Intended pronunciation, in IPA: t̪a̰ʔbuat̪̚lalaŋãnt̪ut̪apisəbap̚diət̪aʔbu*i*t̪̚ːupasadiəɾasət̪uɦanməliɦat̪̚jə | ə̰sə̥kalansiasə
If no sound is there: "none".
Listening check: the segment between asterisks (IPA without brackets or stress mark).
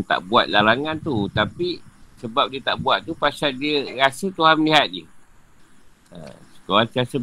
a